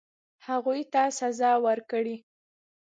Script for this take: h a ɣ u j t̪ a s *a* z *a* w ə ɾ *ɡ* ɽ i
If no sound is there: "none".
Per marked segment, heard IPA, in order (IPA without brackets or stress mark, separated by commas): a, ɑ, k